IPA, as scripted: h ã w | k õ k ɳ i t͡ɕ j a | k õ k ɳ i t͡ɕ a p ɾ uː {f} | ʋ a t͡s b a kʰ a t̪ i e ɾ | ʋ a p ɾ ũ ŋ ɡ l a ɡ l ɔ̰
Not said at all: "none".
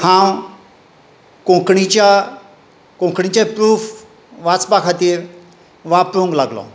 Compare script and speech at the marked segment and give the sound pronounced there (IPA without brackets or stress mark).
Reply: f